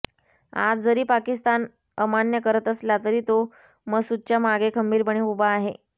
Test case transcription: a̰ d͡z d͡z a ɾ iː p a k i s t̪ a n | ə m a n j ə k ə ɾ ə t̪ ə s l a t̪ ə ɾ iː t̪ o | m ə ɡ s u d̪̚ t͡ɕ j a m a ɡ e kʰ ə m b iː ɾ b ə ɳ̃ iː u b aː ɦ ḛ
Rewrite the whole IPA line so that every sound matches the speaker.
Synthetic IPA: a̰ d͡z d͡z ə ɾ iː p a k i s t̪ a n | ə m a n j ə k ə ɾ ə t̪ ə s l a t̪ ə ɾ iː t̪ o | m ə ɡ s u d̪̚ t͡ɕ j a m a ɡ e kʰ ə m b iː ɾ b ə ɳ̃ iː u b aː ɦ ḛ